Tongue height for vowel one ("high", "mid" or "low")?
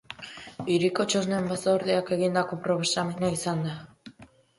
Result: high